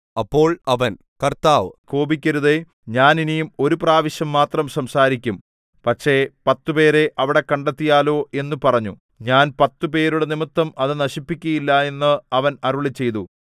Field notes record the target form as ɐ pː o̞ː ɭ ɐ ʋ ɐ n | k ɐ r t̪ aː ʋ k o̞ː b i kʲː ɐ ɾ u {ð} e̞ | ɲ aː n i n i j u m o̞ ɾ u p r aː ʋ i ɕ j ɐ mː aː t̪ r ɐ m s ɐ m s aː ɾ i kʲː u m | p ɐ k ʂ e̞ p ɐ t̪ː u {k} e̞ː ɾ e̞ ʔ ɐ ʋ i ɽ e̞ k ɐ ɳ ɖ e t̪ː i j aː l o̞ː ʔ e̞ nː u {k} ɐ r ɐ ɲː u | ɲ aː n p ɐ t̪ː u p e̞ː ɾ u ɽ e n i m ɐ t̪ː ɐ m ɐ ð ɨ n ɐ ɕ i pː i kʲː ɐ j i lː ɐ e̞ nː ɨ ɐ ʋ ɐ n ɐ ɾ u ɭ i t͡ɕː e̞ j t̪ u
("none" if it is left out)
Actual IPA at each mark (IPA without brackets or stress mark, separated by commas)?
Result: ð, p, p